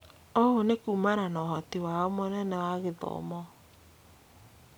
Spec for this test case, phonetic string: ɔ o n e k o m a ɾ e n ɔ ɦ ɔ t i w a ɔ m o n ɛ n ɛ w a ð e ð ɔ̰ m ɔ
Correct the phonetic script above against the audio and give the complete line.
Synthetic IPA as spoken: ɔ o n e k u m a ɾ a n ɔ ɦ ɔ t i w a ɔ m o n ɛ n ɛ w a ɣ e ð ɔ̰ m ɔ